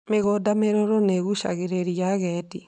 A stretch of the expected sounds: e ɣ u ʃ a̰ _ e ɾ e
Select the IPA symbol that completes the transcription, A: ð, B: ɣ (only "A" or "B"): B